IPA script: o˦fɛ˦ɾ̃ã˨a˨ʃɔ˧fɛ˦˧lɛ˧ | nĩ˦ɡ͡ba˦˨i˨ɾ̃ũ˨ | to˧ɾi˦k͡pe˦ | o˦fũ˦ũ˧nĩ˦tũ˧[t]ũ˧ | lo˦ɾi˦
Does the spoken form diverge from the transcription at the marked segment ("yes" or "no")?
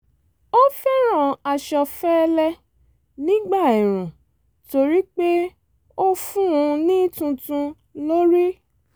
no